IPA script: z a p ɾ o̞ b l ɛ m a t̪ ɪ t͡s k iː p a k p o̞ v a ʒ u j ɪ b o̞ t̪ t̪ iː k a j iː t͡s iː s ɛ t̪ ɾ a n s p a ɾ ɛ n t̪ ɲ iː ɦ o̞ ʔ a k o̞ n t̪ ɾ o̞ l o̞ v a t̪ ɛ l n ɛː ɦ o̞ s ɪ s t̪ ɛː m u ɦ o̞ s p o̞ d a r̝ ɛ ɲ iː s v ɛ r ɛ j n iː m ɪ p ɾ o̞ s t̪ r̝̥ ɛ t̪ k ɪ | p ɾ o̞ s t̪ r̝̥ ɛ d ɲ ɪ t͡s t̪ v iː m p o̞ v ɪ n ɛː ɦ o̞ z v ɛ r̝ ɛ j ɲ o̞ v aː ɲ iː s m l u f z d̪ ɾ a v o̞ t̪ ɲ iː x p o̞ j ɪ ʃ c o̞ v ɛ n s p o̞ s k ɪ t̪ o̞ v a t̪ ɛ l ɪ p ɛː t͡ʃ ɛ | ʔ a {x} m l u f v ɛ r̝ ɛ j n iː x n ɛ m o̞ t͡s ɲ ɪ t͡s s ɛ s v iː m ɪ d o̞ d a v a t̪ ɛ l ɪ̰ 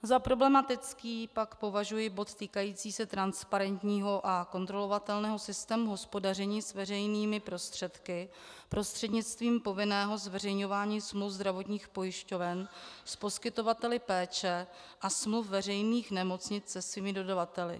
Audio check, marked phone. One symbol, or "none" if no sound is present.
s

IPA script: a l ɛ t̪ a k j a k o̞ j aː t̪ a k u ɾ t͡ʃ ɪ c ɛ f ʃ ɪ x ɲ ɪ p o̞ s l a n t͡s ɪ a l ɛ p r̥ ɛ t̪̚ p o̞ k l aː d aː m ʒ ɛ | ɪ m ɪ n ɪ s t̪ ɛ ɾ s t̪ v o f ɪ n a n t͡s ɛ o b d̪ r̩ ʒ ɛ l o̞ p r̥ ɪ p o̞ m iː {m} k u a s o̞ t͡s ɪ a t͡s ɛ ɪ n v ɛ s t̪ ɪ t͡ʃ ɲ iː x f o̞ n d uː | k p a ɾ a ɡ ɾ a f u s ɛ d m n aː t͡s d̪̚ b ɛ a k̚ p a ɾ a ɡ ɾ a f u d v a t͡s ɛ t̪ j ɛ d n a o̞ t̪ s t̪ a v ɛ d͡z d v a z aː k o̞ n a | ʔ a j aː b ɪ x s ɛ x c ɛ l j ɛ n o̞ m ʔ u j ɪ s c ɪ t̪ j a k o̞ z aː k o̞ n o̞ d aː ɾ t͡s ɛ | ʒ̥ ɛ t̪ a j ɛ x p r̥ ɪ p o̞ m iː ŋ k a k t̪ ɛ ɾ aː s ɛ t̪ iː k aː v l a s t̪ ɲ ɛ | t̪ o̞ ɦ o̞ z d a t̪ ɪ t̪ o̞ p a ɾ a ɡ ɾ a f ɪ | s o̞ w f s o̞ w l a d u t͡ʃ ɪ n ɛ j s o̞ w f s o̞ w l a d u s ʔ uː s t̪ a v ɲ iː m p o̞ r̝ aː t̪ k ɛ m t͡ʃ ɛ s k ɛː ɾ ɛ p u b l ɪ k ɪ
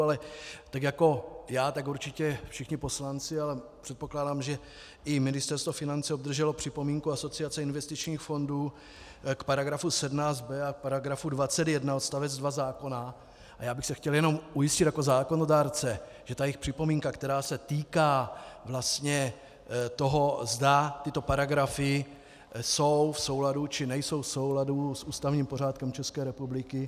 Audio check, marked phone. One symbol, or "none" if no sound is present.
ŋ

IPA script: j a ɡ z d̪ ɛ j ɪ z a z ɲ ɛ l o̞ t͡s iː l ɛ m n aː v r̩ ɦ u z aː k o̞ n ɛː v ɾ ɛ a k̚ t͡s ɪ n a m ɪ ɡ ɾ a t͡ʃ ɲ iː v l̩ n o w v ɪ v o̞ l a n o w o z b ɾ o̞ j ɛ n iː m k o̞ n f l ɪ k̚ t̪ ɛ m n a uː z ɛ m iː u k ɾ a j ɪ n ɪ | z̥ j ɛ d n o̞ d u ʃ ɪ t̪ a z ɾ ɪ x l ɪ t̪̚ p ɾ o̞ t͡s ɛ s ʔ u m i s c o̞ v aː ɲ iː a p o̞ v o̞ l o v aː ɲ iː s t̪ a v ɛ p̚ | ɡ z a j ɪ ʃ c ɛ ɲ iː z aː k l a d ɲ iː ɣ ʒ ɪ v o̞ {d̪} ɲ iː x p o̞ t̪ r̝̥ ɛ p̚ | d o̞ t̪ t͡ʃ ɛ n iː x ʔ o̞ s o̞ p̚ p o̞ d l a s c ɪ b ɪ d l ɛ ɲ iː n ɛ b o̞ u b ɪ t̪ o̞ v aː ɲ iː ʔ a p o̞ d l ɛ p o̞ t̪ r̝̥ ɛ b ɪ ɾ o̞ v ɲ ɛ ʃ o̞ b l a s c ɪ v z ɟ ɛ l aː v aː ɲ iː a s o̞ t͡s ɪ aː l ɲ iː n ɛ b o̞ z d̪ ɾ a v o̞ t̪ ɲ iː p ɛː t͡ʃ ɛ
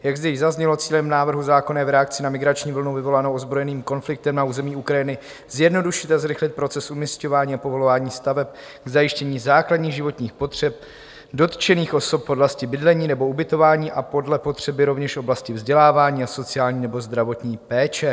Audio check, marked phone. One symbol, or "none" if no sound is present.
t̪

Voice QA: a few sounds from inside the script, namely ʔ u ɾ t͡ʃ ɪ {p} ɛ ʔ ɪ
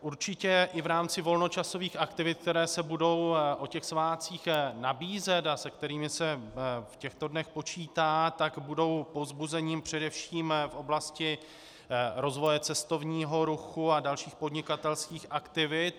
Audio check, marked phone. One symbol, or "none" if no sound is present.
c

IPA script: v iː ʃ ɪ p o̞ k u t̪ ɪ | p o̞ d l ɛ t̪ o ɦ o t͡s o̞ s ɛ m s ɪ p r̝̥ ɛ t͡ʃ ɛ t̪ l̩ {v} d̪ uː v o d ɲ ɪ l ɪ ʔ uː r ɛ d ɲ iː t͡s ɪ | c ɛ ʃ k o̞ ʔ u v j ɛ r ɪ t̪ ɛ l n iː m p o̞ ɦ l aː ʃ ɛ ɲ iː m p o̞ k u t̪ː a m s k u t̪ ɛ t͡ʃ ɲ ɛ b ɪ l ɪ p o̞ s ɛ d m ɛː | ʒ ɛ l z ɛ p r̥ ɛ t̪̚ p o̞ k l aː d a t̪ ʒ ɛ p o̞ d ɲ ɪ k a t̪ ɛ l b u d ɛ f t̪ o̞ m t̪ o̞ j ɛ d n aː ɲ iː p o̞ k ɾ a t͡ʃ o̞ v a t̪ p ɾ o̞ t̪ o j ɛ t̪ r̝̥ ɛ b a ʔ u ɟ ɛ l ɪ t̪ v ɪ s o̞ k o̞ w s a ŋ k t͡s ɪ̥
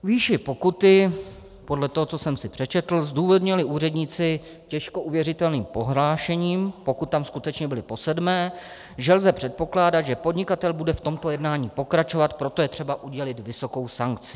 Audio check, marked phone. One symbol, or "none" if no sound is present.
z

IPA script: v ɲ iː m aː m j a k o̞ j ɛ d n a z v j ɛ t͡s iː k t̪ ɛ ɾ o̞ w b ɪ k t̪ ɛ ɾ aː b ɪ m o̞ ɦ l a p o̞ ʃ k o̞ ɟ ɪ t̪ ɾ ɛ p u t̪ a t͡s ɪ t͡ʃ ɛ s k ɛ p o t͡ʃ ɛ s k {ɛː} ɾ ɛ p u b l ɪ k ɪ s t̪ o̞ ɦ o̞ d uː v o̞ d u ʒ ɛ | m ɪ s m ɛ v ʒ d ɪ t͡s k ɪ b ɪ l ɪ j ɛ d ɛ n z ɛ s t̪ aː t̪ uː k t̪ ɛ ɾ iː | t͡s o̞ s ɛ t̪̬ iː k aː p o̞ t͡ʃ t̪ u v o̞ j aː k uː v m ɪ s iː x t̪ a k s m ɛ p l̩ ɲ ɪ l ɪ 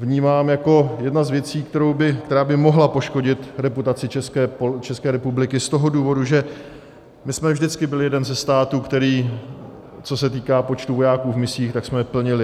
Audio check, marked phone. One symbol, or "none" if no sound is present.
ɛː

